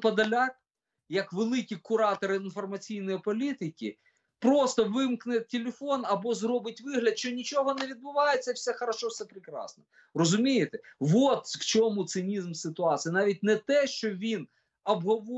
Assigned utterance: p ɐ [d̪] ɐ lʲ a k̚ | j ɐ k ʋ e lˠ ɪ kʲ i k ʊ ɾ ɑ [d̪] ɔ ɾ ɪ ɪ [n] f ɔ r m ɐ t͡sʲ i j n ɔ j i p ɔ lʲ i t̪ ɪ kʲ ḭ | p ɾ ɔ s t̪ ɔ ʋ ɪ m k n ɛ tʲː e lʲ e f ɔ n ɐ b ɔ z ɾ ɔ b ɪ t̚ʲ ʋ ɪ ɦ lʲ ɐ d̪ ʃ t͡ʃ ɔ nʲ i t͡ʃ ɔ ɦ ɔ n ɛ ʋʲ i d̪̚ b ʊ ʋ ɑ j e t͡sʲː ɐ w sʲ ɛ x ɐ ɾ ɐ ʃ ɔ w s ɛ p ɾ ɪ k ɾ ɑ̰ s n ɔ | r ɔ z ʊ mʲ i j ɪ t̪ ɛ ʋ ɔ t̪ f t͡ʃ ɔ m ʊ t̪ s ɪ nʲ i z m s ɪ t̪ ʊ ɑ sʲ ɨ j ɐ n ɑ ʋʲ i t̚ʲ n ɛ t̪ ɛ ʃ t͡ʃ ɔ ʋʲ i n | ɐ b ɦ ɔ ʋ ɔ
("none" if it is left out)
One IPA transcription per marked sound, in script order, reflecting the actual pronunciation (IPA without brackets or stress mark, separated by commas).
d̪, t̪, n